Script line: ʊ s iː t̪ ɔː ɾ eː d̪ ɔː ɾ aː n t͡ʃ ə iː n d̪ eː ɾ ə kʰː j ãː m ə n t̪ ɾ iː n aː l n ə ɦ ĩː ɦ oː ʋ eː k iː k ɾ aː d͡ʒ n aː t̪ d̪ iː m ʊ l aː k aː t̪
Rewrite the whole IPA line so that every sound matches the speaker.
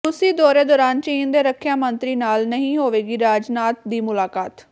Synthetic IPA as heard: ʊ s iː d̪ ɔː ɾ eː d̪ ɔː ɾ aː n t͡ʃ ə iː n d̪ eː ɾ ə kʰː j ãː m ə n t̪ ɾ iː n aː l n ə ɦ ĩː ɦ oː ʋ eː ɡ iː ɾ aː d͡ʒ n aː t̪ d̪ iː m ʊ l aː k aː t̪